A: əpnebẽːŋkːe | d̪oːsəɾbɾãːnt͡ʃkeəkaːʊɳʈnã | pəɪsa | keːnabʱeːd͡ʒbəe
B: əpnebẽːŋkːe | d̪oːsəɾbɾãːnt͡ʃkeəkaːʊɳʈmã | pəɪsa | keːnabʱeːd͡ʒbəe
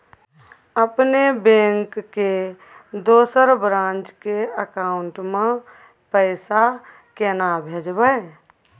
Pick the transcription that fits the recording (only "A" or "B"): B